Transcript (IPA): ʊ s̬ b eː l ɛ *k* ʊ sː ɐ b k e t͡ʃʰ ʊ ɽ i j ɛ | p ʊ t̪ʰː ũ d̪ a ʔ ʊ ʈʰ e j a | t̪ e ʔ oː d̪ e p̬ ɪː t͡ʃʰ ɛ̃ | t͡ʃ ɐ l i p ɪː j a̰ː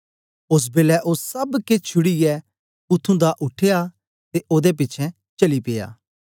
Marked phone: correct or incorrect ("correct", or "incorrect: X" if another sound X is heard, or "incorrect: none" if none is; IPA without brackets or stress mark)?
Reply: incorrect: ʔ